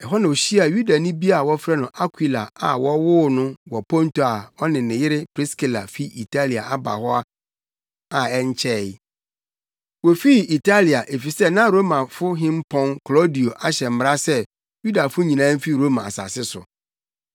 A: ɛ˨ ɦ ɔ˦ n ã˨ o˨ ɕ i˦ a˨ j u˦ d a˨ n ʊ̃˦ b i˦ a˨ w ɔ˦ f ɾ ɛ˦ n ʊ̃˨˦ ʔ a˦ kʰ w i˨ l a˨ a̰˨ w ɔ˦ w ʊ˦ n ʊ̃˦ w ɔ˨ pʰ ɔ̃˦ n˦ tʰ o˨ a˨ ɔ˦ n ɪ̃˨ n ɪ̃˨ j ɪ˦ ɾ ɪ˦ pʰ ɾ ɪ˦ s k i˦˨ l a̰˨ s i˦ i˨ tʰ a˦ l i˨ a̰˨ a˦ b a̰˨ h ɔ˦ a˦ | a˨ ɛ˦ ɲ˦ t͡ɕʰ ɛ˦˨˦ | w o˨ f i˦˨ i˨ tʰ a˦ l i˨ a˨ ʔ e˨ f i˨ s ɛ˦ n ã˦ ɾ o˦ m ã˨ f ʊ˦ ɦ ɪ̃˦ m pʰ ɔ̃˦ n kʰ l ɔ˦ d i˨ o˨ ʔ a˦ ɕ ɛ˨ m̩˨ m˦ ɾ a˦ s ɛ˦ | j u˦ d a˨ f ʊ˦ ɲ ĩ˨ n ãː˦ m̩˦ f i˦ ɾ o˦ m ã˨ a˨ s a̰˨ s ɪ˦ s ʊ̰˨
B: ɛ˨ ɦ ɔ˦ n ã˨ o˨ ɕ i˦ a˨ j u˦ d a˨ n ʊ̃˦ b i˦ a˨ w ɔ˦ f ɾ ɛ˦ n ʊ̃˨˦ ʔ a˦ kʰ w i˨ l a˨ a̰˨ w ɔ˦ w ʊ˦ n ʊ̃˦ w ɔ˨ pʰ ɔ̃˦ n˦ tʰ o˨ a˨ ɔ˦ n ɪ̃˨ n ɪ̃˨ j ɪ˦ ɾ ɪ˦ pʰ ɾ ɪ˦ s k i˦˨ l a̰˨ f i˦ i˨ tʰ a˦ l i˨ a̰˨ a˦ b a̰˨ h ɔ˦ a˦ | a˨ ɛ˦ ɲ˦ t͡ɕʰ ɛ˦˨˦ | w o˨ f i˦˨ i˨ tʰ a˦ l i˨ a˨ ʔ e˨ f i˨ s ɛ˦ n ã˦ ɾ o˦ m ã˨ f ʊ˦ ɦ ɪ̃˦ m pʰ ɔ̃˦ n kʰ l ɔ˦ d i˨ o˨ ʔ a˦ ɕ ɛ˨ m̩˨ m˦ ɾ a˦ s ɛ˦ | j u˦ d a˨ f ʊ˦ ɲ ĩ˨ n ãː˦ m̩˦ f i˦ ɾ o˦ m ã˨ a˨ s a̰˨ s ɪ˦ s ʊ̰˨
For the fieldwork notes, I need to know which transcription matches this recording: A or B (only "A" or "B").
B